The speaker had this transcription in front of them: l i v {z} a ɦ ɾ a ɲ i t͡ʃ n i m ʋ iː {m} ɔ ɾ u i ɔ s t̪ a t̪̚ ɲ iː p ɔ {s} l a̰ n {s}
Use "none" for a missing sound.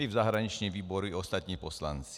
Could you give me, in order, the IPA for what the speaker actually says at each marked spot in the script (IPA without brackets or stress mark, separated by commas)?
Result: z, b, s, t͡s